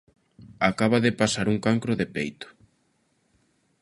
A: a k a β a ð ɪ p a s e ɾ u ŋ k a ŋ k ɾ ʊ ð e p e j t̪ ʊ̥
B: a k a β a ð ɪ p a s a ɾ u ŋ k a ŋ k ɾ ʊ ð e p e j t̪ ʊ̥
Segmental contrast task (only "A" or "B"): B